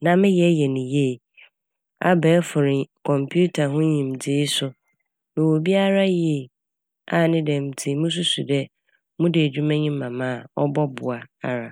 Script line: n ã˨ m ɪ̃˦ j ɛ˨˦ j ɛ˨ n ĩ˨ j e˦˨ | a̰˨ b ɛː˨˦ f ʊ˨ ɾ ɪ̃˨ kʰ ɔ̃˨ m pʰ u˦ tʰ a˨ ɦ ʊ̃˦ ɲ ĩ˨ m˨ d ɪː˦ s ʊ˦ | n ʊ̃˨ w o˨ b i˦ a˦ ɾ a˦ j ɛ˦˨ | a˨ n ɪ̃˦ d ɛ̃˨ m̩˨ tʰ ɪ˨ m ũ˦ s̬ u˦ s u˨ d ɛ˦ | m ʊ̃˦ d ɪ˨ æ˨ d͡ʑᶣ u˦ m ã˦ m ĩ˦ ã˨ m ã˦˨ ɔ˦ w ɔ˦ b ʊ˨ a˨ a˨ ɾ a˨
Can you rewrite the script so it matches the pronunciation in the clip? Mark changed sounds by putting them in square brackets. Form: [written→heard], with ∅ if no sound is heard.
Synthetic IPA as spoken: n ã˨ m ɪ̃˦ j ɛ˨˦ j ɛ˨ n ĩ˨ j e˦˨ | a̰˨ b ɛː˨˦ f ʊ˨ ɾ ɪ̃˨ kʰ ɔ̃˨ m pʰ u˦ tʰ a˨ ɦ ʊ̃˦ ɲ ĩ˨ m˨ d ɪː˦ s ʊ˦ | n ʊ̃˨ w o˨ b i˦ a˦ ɾ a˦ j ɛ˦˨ | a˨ n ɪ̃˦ d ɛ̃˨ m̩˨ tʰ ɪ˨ m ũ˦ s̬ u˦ s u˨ d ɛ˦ | m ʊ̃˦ d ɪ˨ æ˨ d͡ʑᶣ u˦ m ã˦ [m→ɲ] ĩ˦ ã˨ m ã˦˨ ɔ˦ [w→b] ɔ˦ b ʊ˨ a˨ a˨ ɾ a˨